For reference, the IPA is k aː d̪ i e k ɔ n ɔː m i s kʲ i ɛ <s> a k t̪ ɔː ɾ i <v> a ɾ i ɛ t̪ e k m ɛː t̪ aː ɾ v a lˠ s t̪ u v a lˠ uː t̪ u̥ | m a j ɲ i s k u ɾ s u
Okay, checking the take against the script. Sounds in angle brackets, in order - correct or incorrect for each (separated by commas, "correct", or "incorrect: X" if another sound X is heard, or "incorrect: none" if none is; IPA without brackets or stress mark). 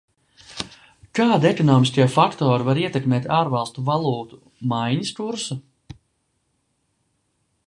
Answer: incorrect: f, correct